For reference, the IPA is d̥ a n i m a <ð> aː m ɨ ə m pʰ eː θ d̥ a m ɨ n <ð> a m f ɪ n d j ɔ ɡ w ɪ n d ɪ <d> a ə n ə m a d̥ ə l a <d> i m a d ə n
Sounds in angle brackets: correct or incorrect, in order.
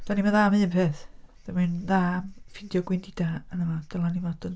correct, correct, correct, incorrect

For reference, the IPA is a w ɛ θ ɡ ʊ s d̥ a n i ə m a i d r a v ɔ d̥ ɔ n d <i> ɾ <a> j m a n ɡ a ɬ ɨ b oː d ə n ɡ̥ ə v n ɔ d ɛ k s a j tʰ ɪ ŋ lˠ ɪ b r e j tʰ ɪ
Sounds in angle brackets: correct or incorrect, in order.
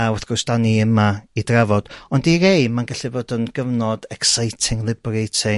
correct, incorrect

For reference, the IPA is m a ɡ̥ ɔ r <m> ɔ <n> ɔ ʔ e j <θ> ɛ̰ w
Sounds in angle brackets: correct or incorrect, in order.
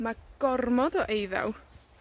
correct, incorrect, incorrect

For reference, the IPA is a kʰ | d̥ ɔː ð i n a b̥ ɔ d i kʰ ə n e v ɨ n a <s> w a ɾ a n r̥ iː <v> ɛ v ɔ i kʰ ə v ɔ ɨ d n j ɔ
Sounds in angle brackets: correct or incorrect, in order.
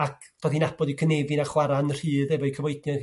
incorrect, incorrect

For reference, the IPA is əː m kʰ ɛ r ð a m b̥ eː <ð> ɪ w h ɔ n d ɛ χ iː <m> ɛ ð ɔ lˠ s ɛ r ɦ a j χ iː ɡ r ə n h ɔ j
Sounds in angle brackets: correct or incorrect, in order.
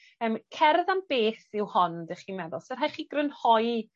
incorrect, correct

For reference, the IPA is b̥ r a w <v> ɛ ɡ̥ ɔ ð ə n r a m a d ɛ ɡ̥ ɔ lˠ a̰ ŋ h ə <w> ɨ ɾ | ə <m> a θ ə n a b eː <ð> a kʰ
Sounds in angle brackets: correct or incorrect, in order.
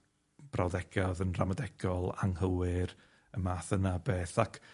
incorrect, correct, correct, incorrect

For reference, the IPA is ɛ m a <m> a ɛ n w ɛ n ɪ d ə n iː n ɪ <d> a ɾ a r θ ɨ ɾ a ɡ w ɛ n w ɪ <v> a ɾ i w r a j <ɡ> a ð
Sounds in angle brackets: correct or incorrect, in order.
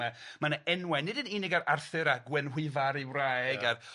incorrect, incorrect, correct, correct

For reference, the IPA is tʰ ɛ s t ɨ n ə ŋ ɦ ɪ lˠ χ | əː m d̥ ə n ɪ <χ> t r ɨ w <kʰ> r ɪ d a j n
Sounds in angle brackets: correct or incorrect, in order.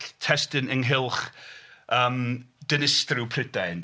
incorrect, incorrect

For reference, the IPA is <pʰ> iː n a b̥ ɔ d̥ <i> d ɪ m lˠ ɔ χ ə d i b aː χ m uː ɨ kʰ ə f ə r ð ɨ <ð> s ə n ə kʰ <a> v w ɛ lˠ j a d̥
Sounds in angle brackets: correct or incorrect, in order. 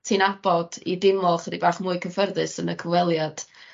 incorrect, correct, incorrect, incorrect

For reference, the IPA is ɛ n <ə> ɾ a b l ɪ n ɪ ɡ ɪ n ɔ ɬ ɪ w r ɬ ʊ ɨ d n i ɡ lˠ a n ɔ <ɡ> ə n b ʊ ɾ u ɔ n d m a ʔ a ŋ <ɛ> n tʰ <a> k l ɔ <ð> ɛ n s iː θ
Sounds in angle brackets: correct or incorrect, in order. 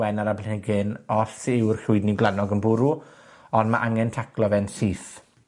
incorrect, correct, correct, correct, incorrect

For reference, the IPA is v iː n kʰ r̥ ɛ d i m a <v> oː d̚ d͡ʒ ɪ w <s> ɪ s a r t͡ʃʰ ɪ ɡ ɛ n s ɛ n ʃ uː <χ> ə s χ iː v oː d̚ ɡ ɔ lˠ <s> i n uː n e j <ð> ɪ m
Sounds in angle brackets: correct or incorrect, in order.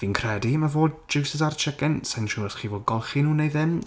correct, correct, incorrect, incorrect, correct

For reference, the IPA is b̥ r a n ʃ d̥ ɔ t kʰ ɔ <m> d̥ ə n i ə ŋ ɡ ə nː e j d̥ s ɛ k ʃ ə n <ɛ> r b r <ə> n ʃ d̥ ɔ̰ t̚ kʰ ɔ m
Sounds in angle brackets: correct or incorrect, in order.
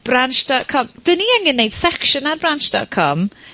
correct, incorrect, incorrect

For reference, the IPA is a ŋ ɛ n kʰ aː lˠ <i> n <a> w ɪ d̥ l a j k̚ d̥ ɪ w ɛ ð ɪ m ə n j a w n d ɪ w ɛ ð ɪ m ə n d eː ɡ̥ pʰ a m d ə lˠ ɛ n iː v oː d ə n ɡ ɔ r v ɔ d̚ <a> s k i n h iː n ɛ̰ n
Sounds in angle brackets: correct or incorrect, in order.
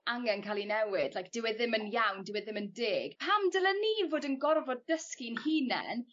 correct, incorrect, incorrect

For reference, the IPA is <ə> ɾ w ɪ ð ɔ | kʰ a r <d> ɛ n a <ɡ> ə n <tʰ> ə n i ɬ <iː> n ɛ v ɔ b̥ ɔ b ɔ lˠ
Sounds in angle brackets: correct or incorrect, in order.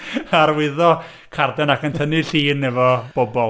incorrect, correct, incorrect, correct, correct

